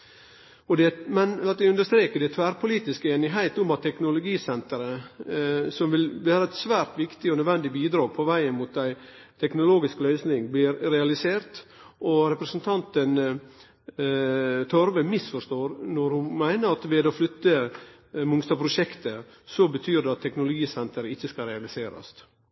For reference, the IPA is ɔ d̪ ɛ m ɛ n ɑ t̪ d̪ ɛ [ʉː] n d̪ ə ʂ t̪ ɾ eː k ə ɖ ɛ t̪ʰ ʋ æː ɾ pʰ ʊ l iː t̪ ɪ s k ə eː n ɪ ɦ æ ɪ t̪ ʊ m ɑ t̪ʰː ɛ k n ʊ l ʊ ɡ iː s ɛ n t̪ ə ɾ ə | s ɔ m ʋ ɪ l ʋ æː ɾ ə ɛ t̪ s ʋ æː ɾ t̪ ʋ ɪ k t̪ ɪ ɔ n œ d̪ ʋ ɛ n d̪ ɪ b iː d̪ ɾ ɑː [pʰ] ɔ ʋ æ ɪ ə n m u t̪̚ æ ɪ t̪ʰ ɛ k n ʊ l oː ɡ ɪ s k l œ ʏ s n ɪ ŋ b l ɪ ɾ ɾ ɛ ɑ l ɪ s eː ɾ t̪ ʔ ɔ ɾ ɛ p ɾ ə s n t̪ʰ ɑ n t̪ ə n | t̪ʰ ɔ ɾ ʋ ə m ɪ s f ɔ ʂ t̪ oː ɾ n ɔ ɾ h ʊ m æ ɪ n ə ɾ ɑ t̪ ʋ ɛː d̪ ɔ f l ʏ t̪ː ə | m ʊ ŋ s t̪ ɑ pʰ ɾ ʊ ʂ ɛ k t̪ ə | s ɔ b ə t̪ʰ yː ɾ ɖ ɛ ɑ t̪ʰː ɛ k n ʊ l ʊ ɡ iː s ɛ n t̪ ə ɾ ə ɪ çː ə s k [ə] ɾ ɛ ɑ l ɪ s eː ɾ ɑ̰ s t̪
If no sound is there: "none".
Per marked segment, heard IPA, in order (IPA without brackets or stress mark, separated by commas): ʉ, pʰ, ɑ